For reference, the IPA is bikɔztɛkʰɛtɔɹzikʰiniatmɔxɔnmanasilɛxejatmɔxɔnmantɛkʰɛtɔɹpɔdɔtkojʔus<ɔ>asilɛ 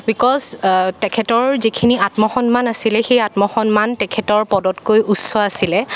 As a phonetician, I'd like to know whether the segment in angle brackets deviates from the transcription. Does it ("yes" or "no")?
no